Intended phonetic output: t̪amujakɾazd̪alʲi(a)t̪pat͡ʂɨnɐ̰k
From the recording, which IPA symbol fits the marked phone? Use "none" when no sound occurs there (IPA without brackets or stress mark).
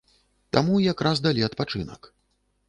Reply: ɐ